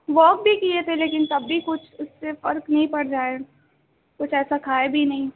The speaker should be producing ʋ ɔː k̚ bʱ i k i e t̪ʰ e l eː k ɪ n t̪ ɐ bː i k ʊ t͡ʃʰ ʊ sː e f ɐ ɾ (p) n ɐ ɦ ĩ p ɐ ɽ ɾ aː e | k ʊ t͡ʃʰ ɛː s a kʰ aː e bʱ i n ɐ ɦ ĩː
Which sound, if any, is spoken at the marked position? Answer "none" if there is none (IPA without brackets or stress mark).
k